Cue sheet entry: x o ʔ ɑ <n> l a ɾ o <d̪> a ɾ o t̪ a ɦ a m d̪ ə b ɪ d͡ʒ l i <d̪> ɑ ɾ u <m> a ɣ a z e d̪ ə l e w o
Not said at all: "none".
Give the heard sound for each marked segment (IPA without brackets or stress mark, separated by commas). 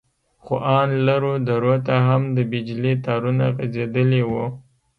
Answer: n, d̪, t̪, n